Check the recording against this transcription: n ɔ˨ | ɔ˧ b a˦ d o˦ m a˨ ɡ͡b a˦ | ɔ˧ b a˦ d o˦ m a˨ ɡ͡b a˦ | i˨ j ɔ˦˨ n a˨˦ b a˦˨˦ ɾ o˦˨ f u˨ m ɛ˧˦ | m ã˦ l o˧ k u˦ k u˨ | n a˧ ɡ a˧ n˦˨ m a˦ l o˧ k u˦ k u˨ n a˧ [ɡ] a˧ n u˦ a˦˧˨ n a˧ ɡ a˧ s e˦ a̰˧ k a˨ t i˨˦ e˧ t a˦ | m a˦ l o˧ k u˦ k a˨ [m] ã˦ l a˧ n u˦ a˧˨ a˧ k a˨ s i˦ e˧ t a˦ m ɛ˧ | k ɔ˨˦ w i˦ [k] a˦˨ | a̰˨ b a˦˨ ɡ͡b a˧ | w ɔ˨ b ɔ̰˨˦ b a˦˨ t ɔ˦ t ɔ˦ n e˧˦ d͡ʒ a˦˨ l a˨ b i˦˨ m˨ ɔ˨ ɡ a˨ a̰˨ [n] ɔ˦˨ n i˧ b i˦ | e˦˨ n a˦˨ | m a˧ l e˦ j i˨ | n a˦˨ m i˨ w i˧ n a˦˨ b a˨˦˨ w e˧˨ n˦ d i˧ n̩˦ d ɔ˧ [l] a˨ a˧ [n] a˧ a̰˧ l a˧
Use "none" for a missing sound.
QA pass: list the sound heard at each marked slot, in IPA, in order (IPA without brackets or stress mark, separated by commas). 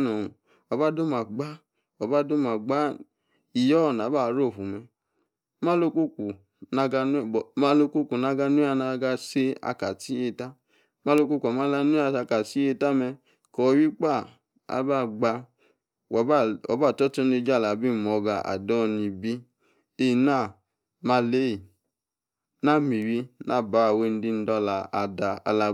ɡ, m, k͡p, d, l, d